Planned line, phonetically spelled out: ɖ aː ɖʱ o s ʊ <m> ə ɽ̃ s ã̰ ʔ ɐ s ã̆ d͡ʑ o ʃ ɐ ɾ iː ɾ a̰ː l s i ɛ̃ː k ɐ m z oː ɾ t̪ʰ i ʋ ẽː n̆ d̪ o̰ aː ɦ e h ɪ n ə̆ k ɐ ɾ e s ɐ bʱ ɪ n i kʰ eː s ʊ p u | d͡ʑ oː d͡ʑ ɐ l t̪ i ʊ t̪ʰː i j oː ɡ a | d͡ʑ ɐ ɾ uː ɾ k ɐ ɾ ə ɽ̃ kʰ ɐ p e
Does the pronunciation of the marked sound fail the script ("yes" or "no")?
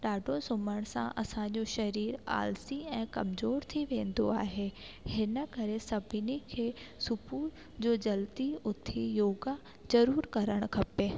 no